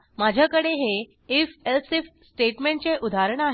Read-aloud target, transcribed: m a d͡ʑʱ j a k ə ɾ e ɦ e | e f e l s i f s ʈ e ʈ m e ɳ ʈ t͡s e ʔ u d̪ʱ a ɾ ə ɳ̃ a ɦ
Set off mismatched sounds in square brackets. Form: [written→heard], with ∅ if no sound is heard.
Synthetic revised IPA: m a d͡ʑʱ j a k ə [ɾ→ɽ] e ɦ e | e f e l s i f s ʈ e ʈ m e ɳ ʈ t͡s e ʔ u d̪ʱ a ɾ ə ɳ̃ a ɦ